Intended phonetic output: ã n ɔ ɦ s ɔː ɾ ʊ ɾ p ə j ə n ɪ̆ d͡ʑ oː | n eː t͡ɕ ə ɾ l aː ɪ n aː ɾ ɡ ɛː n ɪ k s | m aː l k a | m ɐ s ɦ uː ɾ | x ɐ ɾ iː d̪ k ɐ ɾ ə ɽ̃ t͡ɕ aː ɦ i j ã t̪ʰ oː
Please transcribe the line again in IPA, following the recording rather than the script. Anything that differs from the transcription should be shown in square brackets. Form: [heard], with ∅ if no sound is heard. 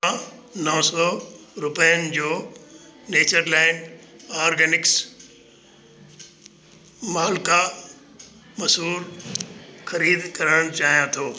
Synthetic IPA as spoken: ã n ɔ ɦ s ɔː ɾ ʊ [∅] p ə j ə n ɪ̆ d͡ʑ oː | n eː t͡ɕ ə ɾ l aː ɪ n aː ɾ ɡ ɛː n ɪ k s | m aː l k a | m ɐ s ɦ uː ɾ | x ɐ ɾ iː d̪ k ɐ ɾ ə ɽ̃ t͡ɕ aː ɦ i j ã t̪ʰ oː